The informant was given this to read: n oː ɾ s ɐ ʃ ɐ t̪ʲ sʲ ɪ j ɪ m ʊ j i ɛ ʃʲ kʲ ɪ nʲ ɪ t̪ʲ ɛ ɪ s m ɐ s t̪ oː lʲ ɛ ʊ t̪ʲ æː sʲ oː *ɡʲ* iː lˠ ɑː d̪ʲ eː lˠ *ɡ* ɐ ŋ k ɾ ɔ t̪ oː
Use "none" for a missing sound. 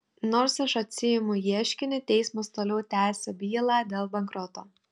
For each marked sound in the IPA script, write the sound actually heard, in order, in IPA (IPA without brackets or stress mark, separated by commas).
bʲ, b